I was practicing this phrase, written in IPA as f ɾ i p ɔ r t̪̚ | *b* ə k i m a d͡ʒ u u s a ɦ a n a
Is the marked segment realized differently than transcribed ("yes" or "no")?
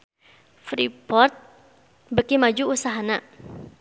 no